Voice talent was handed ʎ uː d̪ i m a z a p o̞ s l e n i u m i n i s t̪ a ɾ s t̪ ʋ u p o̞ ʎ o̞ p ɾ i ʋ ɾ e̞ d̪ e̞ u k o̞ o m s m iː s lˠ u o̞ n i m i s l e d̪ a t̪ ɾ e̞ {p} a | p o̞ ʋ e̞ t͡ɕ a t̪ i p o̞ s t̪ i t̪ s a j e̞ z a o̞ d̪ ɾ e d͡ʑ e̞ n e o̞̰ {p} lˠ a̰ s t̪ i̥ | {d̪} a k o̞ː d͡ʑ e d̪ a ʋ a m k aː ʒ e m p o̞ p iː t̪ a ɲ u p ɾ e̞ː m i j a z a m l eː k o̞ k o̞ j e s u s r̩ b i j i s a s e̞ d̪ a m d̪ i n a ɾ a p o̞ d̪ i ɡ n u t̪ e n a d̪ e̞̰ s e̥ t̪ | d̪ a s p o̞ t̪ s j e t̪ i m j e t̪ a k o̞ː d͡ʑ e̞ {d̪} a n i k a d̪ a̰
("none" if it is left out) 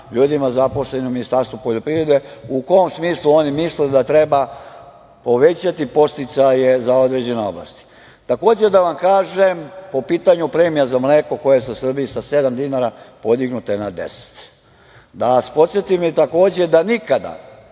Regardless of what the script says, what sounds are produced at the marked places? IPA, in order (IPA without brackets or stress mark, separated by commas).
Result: b, b, t̪, d̪